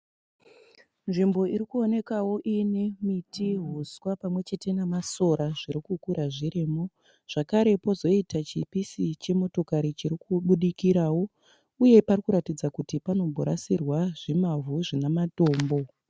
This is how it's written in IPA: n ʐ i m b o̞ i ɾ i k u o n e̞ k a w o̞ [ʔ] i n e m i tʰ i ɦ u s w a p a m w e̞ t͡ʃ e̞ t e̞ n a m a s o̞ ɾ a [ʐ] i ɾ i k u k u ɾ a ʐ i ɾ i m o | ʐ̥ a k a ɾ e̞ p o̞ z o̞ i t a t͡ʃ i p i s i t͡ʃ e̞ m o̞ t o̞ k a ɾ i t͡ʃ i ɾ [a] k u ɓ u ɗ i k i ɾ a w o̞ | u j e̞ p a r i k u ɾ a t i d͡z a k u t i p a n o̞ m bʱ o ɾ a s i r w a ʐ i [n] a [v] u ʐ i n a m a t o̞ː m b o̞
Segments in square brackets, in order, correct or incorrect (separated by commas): correct, correct, incorrect, incorrect, correct